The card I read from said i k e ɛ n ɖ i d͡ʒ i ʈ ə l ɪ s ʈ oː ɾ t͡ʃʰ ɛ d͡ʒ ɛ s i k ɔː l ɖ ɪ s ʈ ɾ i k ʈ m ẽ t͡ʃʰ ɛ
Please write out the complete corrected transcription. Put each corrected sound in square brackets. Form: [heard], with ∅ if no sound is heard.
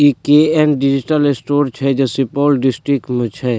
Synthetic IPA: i k e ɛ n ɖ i d͡ʒ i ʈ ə l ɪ s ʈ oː ɾ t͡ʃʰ ɛ d͡ʒ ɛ s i [p] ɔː l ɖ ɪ s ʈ ɾ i k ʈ m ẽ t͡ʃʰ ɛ